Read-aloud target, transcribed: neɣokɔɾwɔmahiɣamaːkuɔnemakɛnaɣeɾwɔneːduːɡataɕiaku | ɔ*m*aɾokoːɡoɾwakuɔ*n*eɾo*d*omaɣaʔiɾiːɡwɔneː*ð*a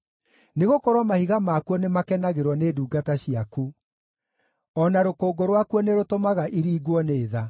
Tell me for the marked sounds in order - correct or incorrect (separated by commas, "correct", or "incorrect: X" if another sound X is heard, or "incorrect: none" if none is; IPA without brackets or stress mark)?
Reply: incorrect: n, correct, incorrect: t, correct